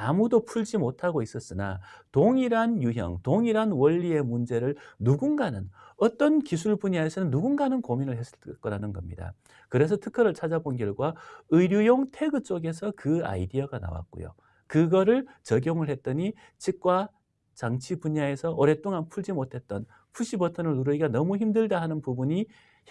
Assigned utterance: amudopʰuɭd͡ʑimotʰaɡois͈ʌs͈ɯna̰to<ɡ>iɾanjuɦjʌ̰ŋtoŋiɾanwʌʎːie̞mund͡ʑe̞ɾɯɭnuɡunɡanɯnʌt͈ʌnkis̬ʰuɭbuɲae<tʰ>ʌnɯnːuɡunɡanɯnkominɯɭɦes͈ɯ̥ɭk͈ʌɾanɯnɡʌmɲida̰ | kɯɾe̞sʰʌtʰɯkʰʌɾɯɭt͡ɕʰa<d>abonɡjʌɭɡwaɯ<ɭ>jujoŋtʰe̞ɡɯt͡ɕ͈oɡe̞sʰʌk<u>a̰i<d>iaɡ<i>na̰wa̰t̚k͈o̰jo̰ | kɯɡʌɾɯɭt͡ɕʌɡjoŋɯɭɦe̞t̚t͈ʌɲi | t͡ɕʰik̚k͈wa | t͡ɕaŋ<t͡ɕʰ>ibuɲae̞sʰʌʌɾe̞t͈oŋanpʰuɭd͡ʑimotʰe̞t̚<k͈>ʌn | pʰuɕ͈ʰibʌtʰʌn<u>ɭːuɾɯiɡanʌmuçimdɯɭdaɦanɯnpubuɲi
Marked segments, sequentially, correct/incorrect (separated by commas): incorrect, incorrect, incorrect, incorrect, incorrect, correct, incorrect, correct, incorrect, incorrect